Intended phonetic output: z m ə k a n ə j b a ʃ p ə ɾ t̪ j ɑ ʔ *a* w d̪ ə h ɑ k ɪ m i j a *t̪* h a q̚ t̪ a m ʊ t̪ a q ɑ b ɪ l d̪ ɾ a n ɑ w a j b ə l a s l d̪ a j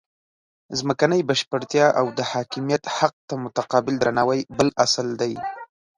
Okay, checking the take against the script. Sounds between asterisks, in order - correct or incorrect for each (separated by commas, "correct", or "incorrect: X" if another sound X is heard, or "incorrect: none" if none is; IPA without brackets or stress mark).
correct, correct